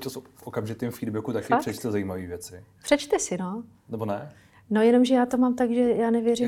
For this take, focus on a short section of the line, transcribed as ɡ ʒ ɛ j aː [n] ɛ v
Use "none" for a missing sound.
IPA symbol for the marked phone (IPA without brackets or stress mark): n